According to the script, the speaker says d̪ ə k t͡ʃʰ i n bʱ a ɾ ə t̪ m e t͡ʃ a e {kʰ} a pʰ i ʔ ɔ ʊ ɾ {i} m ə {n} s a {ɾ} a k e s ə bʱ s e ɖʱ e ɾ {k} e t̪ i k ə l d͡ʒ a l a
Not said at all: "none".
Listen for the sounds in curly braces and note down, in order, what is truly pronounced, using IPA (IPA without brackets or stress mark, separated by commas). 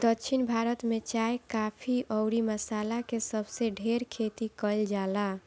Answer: k, i, none, l, kʰ